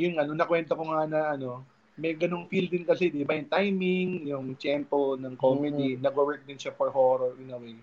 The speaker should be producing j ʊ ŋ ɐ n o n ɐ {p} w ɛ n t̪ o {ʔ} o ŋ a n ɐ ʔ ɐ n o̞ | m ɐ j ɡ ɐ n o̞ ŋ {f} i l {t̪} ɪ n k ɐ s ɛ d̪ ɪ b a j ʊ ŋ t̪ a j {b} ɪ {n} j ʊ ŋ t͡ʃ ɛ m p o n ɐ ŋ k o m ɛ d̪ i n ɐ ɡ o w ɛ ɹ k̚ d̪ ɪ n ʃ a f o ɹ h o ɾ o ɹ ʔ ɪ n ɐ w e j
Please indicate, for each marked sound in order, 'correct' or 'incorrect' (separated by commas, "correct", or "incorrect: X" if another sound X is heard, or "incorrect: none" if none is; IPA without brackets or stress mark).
incorrect: k, incorrect: k, correct, incorrect: d̪, incorrect: m, incorrect: ŋ